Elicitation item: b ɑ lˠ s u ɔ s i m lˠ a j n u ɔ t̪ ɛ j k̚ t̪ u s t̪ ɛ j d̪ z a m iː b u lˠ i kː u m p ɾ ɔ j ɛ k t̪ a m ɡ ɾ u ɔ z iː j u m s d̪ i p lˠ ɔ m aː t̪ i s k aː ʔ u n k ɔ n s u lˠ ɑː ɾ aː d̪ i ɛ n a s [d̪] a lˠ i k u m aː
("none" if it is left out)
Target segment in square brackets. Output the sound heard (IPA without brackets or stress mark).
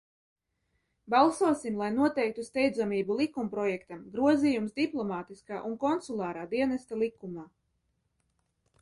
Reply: t̪